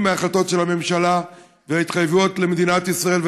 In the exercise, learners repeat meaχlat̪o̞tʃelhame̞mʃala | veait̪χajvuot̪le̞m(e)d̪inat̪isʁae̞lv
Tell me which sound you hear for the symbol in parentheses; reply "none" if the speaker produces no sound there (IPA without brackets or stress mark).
e